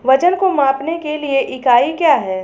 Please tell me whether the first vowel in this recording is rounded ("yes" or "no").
no